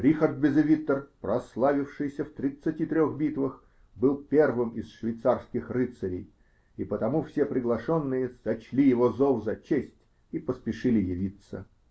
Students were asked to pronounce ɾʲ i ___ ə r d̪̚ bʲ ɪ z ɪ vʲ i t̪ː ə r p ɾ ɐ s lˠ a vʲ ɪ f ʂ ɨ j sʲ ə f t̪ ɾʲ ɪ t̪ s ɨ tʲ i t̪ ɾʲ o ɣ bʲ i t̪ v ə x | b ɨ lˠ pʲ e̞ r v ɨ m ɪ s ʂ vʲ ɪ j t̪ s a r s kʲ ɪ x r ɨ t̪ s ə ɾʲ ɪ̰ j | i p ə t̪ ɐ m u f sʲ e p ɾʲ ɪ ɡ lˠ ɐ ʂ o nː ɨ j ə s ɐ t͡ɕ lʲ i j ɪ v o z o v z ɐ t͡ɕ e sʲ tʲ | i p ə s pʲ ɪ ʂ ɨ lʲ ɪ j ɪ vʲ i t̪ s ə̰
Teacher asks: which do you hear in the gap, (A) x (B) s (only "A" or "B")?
A